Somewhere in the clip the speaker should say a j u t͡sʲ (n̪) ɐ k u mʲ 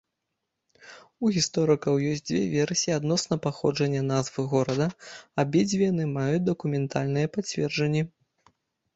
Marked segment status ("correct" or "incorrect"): incorrect